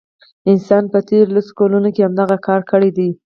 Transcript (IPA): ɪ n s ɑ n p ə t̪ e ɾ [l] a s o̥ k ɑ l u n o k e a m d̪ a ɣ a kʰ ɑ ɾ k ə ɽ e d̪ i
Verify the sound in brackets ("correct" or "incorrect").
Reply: correct